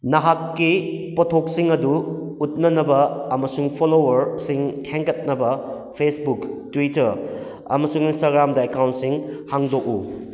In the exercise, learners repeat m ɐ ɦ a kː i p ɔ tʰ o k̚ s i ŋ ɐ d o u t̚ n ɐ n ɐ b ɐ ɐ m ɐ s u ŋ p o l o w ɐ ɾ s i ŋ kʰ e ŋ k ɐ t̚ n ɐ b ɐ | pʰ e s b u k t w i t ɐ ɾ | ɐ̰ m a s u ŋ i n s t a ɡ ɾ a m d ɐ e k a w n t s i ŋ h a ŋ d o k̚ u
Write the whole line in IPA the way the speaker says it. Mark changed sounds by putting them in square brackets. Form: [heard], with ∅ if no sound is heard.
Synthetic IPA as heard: [n] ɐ ɦ a kː i p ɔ tʰ o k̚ s i ŋ ɐ d [u] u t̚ n ɐ n ɐ b ɐ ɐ m ɐ s u ŋ [pʰ] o l o w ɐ ɾ s i ŋ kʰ e ŋ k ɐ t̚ n ɐ b ɐ | pʰ e s b u k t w i t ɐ ɾ | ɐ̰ m [ɐ] s u ŋ i n s t a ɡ ɾ a m d ɐ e k a w n t s i ŋ h a ŋ d o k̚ u